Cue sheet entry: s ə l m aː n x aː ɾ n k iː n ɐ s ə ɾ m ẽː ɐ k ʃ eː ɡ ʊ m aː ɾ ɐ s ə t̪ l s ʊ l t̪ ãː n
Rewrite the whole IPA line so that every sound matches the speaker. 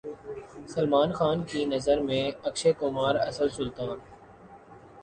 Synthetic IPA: s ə l m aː n x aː n k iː n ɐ z ə ɾ m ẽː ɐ k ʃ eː k ʊ m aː ɾ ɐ s ə l s ʊ l t̪ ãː n